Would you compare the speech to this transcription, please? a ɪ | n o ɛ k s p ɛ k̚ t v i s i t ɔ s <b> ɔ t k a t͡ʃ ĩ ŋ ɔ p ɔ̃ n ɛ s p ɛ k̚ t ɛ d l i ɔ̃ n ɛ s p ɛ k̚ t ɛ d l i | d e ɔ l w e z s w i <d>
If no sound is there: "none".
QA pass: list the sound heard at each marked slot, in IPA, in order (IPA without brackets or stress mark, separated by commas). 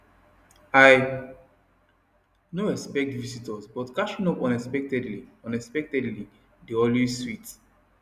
b, t